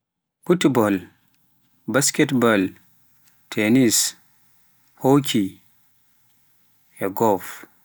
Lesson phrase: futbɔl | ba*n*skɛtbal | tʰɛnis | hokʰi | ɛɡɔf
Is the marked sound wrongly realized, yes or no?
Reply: yes